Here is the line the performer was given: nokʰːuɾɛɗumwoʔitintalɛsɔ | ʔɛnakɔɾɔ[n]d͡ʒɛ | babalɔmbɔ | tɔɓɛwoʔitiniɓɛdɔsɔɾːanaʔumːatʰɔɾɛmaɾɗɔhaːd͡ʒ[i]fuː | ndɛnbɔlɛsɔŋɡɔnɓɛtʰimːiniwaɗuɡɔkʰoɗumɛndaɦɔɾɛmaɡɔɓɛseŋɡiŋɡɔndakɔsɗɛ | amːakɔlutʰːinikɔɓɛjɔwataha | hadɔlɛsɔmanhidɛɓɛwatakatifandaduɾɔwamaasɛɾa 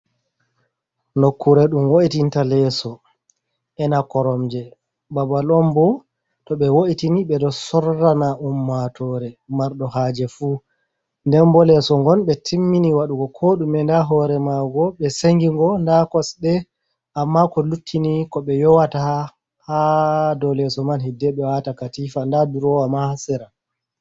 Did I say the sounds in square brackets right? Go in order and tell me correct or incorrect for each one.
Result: incorrect, incorrect

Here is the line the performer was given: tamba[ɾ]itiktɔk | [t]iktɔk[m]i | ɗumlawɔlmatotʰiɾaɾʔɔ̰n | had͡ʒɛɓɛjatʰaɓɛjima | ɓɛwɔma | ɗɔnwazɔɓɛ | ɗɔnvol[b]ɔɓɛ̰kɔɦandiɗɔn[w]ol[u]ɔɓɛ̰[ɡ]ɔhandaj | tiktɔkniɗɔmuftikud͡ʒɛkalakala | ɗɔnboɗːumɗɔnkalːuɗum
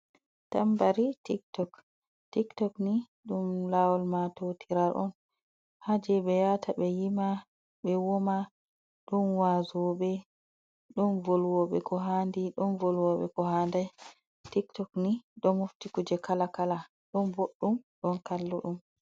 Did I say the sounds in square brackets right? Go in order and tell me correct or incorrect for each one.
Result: correct, correct, incorrect, incorrect, incorrect, incorrect, incorrect

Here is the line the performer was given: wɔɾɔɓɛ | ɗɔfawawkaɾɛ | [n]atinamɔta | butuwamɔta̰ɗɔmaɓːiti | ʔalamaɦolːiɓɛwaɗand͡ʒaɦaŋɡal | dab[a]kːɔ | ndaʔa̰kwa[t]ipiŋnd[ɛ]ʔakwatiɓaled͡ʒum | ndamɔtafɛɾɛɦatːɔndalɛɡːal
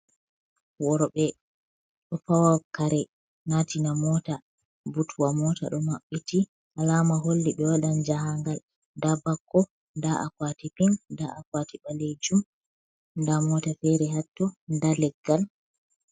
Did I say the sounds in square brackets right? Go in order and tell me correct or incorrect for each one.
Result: correct, correct, correct, incorrect

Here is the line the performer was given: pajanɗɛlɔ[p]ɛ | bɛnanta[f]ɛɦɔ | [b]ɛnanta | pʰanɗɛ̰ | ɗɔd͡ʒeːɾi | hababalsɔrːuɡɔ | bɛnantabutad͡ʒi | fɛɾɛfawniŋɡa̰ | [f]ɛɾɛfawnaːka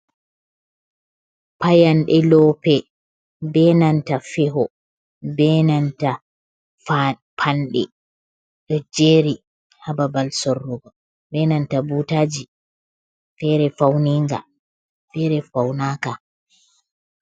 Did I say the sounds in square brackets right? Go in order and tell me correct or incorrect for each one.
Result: correct, correct, correct, correct

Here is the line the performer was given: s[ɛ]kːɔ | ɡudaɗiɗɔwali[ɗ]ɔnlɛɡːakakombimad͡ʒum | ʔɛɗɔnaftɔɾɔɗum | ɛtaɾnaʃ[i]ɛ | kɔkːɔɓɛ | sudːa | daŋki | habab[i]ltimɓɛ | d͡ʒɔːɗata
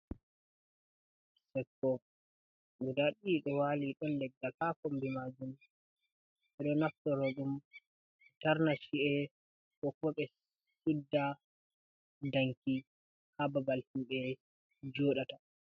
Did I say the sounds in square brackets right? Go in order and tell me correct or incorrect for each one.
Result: correct, correct, correct, incorrect

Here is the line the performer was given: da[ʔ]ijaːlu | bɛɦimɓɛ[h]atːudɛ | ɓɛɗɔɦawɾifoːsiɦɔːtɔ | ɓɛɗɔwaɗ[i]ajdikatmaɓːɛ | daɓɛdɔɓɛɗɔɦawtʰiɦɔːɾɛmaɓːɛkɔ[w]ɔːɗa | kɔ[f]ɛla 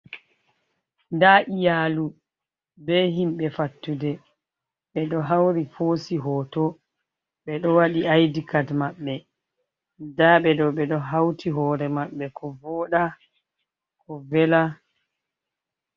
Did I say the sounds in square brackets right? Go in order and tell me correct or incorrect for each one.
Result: correct, incorrect, correct, incorrect, incorrect

